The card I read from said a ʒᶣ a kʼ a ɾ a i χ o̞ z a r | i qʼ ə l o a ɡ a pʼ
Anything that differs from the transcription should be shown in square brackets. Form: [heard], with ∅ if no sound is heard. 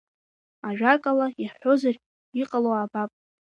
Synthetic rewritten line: a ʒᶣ a kʼ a [l] a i [ħ] o̞ z a r | i qʼ [a] l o a [b] a pʼ